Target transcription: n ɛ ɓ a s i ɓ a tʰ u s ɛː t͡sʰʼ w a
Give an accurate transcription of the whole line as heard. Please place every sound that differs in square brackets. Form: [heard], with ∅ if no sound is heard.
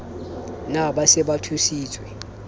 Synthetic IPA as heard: n [a] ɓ a s [ɛ] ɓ a tʰ u s [iː] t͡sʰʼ w [ɛ]